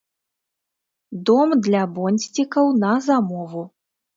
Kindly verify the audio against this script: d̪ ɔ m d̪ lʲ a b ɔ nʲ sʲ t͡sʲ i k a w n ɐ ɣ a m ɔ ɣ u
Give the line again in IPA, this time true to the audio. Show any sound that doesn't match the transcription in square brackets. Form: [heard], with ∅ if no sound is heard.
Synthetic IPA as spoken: d̪ ɔ m d̪ lʲ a b ɔ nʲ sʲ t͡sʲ i k [ɐ] w n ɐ [z] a m ɔ [v] u